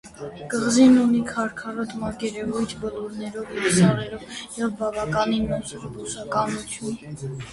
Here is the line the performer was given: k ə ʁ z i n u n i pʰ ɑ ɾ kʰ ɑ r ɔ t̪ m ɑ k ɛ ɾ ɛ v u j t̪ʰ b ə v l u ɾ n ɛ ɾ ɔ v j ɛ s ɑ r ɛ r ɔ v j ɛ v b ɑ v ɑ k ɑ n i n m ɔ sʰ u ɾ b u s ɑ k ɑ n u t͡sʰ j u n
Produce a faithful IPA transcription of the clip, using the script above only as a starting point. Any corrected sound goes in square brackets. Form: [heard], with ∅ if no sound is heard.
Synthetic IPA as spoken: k ə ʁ z i n u n i [kʰ] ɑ ɾ kʰ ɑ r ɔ t̪ m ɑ k ɛ ɾ ɛ v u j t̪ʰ b ə [∅] l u ɾ n ɛ ɾ ɔ v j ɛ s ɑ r ɛ [ɾ] ɔ v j ɛ v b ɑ v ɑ k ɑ n i n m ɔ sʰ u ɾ b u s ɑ k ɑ n u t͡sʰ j u n